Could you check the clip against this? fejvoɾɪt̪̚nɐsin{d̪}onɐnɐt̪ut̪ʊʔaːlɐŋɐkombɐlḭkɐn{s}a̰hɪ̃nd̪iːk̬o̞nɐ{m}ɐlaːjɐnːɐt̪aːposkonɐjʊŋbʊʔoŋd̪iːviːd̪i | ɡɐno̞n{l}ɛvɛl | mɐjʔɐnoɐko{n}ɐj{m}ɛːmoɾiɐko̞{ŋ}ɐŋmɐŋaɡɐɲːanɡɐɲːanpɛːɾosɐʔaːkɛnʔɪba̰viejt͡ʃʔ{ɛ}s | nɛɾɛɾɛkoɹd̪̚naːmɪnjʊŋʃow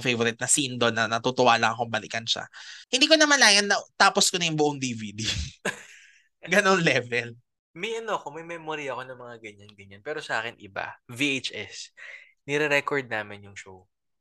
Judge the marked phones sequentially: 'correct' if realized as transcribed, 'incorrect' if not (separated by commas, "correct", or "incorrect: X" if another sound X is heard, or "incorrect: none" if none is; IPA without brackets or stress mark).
correct, incorrect: ʃ, correct, correct, incorrect: m, correct, incorrect: n, correct